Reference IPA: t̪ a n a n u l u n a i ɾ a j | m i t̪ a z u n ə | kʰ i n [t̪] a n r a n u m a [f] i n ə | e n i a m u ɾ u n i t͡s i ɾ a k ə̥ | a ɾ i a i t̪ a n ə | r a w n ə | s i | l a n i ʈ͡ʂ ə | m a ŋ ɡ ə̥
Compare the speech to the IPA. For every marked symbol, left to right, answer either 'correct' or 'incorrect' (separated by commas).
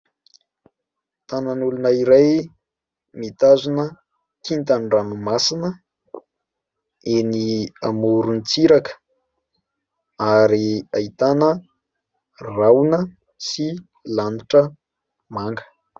correct, incorrect